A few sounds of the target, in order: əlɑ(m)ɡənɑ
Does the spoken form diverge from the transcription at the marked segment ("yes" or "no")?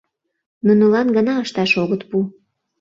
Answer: yes